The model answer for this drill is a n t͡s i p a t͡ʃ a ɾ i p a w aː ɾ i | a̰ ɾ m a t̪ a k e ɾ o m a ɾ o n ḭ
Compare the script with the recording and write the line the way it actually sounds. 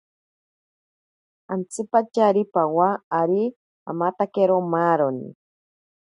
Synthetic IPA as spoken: a n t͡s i p a t͡ʃ a ɾ i p a w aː ɾ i | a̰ m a t̪ a k e ɾ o m a ɾ o n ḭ